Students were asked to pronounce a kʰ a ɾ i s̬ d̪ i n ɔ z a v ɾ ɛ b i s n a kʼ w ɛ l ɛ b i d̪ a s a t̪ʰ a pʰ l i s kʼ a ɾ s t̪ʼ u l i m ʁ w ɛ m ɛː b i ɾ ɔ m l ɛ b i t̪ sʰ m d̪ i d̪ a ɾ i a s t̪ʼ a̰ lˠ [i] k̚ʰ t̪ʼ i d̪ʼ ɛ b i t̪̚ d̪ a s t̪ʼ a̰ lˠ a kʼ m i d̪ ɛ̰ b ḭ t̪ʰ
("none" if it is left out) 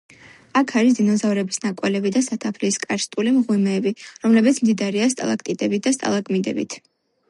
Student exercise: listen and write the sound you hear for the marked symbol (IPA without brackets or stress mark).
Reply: a